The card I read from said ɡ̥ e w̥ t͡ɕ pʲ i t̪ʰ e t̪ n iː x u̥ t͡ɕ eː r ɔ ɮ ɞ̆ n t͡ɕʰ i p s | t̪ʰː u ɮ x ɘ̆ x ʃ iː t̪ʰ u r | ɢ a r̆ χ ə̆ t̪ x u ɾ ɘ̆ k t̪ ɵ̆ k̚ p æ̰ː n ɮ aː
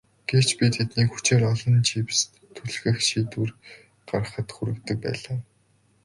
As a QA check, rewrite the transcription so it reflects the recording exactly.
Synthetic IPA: ɡ̥ e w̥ t͡ɕ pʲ i t̪ʰ e t̪ n iː x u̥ t͡ɕ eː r ɔ ɮ ɞ̆ n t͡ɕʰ i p s | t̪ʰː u ɮ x ɘ̆ x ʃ iː t̪ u r | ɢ a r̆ χ ə̆ t̪ x u ɾ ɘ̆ k t̪ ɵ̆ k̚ p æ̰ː ɮ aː